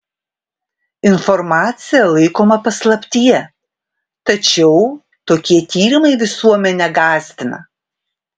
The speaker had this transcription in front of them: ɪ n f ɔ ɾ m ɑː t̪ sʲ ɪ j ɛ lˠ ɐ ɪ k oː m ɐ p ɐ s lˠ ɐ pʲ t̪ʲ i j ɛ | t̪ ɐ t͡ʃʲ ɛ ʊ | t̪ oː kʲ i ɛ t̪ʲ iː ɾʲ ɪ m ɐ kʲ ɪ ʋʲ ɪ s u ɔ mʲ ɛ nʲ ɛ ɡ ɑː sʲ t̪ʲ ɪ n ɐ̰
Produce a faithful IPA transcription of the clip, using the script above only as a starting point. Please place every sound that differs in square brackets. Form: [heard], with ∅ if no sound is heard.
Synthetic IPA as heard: ɪ n f ɔ ɾ m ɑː t̪ sʲ ɪ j ɛ lˠ ɐ ɪ k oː m ɐ p ɐ s lˠ ɐ pʲ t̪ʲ i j ɛ | t̪ ɐ t͡ʃʲ ɛ ʊ | t̪ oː kʲ i ɛ t̪ʲ iː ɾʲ ɪ m ɐ [∅] ɪ ʋʲ ɪ s u ɔ mʲ ɛ nʲ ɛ ɡ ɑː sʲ t̪ʲ ɪ n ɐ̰